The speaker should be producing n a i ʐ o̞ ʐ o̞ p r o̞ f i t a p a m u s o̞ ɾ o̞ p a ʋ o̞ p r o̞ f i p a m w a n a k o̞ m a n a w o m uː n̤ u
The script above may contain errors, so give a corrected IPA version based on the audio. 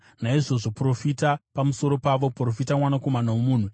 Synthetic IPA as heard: n a i ʐ o̞ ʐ o̞ p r o̞ f i t a p a m u s o̞ ɾ o̞ p a ʋ o̞ p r o̞ f i t a m w a n a k o̞ m a n a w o m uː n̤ u